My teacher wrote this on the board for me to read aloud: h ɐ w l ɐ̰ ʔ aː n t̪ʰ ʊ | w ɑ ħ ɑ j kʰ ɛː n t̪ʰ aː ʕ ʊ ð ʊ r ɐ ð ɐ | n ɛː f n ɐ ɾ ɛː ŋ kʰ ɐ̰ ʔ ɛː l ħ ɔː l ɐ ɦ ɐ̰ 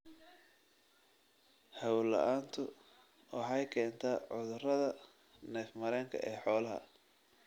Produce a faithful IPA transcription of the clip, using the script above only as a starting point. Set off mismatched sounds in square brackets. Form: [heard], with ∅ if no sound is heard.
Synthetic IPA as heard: h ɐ w l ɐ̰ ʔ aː n t̪ʰ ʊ | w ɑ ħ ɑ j kʰ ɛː n t̪ʰ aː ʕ ʊ ð ʊ r ɐ ð ɐ | n ɛː f [m] ɐ ɾ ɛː ŋ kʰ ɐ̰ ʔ ɛː [∅] ħ ɔː l ɐ ɦ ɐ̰